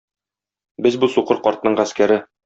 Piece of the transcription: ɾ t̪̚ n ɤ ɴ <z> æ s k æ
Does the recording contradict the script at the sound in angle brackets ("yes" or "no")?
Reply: yes